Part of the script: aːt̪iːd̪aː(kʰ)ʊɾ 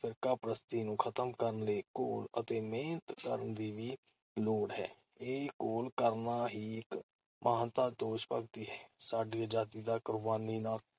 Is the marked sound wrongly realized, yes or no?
yes